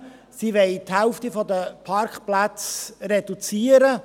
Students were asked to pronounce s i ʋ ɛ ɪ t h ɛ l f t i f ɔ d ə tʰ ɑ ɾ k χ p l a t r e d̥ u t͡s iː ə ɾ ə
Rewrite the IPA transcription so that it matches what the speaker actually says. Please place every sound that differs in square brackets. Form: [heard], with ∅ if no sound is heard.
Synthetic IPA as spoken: s i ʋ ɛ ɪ t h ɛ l f t i f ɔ d ə [pʰ] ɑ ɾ k χ p l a [t͡s] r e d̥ u t͡s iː ə ɾ ə